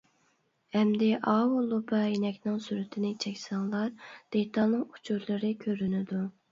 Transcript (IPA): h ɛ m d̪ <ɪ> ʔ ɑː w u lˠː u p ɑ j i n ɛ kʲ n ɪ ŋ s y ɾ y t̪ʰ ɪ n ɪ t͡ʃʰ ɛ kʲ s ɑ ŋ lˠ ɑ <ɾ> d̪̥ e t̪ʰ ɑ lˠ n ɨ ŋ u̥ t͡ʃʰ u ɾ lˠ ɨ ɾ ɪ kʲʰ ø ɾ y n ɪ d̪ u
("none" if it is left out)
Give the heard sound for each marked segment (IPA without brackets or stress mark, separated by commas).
ɪ, ɾ